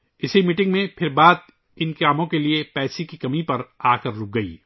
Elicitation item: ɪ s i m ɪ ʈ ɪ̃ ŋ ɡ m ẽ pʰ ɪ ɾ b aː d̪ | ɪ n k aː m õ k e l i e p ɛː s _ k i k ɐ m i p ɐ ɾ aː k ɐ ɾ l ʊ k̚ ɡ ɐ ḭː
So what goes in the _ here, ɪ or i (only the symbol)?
i